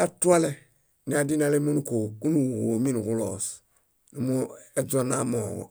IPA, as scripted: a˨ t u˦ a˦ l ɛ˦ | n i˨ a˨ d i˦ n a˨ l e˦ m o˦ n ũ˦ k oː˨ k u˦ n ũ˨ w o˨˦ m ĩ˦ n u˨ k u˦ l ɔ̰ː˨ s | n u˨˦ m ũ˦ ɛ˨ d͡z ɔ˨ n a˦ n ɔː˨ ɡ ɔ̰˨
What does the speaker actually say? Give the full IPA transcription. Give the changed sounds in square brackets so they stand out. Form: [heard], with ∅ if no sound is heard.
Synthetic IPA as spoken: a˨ t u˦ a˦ l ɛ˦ | n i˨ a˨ d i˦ n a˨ l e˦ m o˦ n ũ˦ k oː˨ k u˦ n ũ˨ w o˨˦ m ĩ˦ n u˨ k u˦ l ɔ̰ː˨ s | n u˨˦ m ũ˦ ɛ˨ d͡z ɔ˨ n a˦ [m] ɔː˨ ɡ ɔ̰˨